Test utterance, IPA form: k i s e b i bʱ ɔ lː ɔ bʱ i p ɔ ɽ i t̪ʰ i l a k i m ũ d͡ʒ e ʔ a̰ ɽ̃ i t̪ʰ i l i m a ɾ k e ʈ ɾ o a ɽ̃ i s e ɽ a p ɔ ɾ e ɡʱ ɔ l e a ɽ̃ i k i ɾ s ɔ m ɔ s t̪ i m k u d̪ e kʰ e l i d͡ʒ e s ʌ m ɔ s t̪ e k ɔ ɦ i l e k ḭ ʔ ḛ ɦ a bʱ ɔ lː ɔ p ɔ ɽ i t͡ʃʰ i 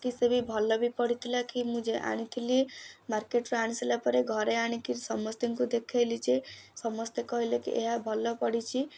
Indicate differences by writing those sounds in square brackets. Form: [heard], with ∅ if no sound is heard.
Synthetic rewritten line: k i s e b i bʱ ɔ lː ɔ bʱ i p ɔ ɽ i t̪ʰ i l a k i m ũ d͡ʒ e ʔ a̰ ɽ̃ i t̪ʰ i l i m a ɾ k e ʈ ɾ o a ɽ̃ i s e [l] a p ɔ ɾ e ɡʱ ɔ [ɾ] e a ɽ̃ i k i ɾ s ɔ m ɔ s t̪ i [ŋ] k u d̪ e kʰ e l i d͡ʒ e s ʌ m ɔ s t̪ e k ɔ ɦ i l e k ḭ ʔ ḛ ɦ a bʱ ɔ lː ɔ p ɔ ɽ i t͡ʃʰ i